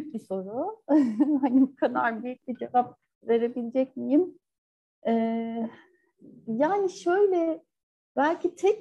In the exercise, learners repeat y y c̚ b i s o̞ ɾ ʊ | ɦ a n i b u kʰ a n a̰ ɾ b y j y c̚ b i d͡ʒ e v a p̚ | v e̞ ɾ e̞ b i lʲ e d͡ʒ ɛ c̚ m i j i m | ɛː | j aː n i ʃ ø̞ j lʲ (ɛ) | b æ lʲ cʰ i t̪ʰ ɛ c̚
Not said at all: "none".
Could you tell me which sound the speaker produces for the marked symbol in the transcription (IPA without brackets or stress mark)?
ɛ